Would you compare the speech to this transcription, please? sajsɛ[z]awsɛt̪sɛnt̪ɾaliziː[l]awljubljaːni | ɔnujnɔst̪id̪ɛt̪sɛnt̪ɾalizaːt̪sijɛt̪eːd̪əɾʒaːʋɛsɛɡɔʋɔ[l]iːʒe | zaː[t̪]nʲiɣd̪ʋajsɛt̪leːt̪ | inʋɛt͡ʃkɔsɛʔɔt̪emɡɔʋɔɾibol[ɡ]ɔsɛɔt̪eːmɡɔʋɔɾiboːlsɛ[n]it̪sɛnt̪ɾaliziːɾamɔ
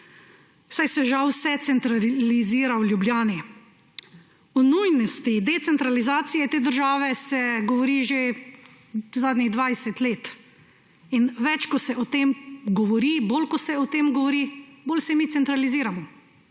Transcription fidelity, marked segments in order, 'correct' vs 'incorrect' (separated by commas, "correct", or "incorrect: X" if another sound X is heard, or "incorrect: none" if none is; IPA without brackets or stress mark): incorrect: ʒ, incorrect: ɾ, incorrect: ɾ, incorrect: d̪, incorrect: k, incorrect: m